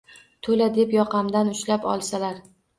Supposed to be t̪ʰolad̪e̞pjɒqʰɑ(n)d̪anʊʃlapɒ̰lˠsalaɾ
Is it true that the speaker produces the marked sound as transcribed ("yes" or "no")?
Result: no